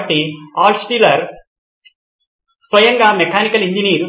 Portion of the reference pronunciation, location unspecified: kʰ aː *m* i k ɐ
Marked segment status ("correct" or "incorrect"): incorrect